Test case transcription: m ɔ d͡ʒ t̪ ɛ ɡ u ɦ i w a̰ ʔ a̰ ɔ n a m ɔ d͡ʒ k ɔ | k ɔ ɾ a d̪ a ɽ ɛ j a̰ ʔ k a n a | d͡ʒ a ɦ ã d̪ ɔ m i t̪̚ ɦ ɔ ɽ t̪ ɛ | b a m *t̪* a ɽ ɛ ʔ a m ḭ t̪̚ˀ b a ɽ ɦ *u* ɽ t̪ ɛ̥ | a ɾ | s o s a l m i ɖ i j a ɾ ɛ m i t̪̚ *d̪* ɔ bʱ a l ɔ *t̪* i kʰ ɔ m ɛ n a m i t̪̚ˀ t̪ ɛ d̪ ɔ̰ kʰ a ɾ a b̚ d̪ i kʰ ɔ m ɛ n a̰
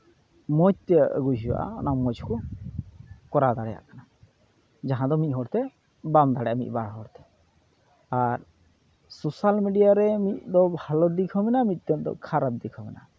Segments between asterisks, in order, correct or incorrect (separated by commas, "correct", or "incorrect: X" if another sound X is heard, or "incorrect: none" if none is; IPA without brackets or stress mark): incorrect: d̪, incorrect: ɔ, correct, incorrect: d̪